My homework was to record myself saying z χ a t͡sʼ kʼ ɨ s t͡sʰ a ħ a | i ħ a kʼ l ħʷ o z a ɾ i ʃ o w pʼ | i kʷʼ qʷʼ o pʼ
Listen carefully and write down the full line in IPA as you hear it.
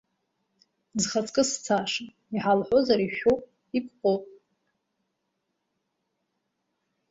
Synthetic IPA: z χ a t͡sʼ kʼ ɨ s t͡sʰ a ʂ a | i ħ a l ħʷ o z a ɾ i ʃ o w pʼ | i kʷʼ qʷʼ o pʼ